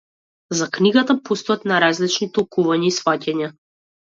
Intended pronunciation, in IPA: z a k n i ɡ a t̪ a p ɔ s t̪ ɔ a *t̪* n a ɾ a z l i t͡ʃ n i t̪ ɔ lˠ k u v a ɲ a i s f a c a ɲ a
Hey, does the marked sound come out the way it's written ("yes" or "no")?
yes